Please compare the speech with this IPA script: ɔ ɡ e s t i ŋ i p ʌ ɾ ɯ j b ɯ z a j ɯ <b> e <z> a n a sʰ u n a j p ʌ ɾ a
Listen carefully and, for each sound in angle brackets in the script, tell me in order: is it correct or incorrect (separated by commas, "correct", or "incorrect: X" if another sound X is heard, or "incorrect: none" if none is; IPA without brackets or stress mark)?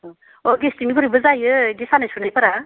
incorrect: ɡ, incorrect: s